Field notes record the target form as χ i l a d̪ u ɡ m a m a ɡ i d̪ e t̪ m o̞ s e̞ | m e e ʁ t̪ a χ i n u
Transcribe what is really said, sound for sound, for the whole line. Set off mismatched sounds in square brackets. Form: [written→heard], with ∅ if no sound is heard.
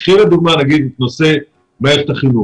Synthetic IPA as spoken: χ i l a d̪ u ɡ m a [m→n] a ɡ i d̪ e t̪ [m→n] o̞ s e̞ | m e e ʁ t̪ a χ i n u